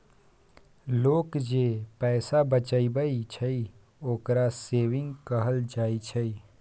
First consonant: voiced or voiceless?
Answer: voiced